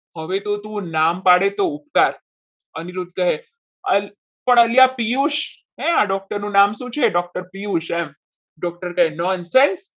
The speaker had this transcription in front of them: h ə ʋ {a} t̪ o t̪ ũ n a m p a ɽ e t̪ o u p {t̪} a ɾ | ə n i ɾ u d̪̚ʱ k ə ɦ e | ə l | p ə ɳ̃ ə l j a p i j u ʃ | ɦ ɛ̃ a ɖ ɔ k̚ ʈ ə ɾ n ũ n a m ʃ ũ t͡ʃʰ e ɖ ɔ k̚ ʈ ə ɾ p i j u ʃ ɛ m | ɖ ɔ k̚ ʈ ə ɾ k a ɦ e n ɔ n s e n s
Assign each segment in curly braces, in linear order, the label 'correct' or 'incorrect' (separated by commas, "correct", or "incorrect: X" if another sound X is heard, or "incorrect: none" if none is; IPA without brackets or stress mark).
incorrect: e, correct